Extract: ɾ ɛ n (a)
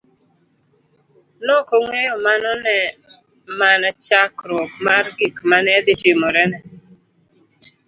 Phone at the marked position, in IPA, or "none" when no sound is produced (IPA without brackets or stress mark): ɛ